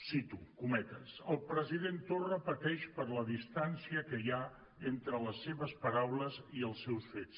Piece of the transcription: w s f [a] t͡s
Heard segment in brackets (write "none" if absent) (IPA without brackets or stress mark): e